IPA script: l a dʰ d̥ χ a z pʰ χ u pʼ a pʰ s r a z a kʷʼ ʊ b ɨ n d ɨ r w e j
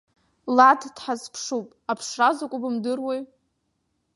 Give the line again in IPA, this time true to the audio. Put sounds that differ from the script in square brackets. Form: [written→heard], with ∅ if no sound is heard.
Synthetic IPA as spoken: l a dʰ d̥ [χ→ħ] a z pʰ [χ→ʂ] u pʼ a pʰ [s→ʂ] r a z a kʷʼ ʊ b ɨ [n→m] d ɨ r w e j